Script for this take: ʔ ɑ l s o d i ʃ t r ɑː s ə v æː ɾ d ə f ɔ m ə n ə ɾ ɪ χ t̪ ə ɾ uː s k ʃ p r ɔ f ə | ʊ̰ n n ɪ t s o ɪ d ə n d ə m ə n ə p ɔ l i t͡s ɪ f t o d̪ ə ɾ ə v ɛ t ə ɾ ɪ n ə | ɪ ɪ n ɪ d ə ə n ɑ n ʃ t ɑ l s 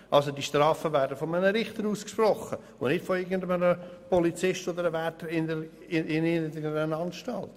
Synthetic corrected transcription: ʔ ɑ l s o d i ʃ t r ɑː f ə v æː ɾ d ə f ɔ m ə n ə ɾ ɪ χ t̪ ə ɾ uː s k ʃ p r ɔ χ ə | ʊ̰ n n ɪ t f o ɪ ɡ ə n d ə m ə n ə p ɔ l i t͡s ɪ ʃ t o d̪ ə ɾ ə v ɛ t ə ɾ ɪ n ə | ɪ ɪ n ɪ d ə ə n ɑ n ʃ t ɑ l t

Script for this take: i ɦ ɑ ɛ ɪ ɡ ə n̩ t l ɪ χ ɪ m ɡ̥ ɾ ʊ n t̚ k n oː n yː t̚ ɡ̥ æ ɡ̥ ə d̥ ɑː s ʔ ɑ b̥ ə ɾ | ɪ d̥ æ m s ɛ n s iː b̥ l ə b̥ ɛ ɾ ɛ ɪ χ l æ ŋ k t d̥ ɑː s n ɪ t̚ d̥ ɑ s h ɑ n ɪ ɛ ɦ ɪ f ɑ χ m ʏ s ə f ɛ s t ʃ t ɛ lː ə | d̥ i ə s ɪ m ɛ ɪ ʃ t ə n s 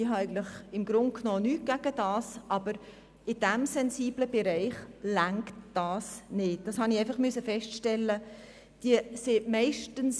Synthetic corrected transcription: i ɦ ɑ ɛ ɪ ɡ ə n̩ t l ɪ χ ɪ m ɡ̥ ɾ ʊ n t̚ k n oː n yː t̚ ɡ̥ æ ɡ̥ ə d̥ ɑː s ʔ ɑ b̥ ə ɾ | ɪ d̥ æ m s ɛ n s iː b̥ l ə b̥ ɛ ɾ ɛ ɪ χ l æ ŋ k t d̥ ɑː s n ɪ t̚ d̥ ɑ s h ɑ n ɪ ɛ ɪ f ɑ χ m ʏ s ə f ɛ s t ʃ t ɛ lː ə | d̥ i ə s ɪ m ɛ ɪ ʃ t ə n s

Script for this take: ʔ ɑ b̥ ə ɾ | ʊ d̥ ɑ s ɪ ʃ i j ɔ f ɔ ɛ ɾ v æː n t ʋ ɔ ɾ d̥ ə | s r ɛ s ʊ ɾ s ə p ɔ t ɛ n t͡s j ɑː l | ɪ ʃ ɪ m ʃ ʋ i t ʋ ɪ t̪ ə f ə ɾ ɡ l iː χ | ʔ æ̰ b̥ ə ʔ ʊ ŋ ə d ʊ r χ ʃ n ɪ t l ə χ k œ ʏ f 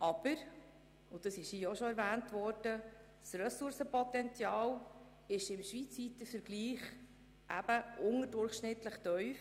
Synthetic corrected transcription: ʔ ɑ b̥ ə ɾ | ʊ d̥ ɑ s ɪ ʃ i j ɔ ʃ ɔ ɛ ɾ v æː n t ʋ ɔ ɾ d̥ ə | s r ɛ s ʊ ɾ s ə p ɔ t ɛ n t͡s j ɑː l | ɪ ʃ ɪ m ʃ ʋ i t͡s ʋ i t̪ ə f ə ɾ ɡ l iː χ | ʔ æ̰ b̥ ə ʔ ʊ ŋ ə d ʊ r χ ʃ n ɪ t l ə χ t œ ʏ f

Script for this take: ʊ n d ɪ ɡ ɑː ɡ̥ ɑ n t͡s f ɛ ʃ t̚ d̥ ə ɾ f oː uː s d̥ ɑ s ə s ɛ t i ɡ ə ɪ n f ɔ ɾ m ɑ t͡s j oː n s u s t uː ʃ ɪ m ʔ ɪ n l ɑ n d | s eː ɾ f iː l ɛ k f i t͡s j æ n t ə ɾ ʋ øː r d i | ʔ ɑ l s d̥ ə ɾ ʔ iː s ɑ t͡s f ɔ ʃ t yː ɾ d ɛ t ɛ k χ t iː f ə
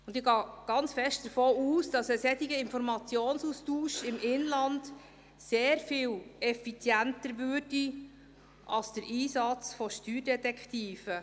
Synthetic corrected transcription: ʊ n d ɪ ɡ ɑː ɡ̥ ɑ n t͡s f ɛ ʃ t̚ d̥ ə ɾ f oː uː s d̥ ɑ s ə s ɛ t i ɡ ə ɪ n f ɔ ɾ m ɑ t͡s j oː n s u s t uː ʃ ɪ m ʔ ɪ n l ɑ n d | s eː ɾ f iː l ɛ f i t͡s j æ n t ə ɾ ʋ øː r d i | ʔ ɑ l s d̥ ə ɾ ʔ iː s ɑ t͡s f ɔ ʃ t yː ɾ d ɛ t ɛ k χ t iː f ə

